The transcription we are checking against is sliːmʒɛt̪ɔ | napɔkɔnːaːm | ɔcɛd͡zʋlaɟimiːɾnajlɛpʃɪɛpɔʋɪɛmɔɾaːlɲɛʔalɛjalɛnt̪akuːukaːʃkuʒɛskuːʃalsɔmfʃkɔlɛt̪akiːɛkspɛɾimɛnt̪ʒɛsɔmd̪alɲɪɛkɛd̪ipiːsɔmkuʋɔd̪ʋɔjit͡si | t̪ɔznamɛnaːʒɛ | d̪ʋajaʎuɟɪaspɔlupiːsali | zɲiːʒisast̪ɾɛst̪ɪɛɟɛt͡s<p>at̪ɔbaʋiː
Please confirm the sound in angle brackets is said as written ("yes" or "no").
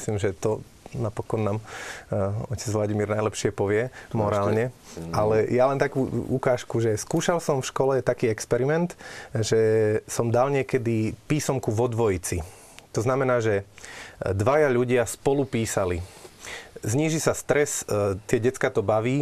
no